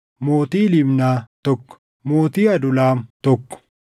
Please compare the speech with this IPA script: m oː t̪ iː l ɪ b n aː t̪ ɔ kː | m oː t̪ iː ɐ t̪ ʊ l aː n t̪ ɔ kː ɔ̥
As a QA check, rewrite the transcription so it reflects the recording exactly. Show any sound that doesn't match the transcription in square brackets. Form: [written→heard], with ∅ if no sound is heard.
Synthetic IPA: m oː t̪ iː l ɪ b n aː t̪ ɔ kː | m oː t̪ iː ɐ [t̪→d̪] ʊ l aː [n→m] t̪ ɔ kː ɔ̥